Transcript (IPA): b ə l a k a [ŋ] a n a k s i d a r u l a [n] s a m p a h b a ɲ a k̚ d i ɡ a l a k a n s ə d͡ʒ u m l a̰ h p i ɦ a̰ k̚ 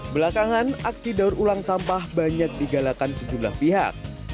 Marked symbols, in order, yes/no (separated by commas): yes, no